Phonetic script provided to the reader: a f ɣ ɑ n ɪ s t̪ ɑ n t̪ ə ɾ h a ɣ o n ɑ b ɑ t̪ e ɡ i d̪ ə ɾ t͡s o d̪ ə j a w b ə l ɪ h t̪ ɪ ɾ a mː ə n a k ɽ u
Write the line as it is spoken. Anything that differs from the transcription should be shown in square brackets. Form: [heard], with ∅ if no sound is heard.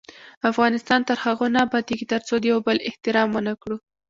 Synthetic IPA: a f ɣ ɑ n ɪ s t̪ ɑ n t̪ ə ɾ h a ɣ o n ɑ b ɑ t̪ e ɡ i [t̪] ə ɾ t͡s o d̪ ə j a w b ə l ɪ h t̪ ɪ ɾ [ɑ] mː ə n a k ɽ u